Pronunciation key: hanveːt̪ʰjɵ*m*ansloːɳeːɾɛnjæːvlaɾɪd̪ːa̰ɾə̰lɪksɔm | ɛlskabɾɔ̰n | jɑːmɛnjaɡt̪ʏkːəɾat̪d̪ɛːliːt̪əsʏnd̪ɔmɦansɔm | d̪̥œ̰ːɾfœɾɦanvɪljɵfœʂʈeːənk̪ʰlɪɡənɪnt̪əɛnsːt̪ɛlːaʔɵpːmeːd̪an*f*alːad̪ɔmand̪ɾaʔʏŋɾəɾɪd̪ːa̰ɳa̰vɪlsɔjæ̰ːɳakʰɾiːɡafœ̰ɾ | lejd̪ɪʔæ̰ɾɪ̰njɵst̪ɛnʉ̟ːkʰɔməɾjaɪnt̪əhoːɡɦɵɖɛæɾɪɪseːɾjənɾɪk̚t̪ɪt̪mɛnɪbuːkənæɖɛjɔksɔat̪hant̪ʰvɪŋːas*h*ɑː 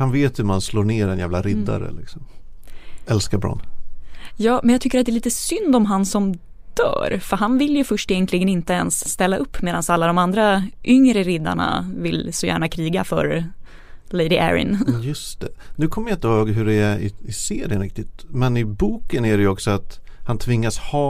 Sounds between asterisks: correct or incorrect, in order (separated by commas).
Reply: correct, incorrect, correct